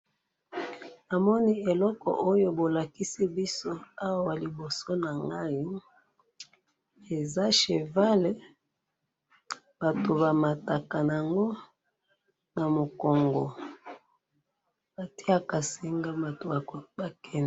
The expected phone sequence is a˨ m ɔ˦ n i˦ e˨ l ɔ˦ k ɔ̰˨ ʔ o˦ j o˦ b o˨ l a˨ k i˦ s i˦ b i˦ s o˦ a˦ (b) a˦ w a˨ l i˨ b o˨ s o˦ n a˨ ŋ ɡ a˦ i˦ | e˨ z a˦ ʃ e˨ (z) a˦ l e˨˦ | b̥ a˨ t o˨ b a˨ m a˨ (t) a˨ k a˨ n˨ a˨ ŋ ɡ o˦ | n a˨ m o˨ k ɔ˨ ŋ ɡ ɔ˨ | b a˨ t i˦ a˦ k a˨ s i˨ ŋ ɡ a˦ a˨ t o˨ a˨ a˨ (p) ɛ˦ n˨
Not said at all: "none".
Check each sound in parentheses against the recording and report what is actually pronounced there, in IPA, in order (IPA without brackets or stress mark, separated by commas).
w, v, t, k